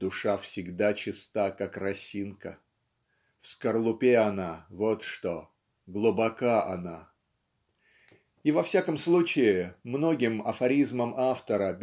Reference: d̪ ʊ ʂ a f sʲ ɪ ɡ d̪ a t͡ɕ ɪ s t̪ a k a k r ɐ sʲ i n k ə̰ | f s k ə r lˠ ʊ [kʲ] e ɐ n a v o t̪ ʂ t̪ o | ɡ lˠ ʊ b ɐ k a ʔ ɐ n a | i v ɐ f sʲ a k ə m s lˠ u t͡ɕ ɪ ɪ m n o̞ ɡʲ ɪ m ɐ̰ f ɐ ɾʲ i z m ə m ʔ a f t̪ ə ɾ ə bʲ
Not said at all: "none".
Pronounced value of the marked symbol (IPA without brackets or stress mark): pʲ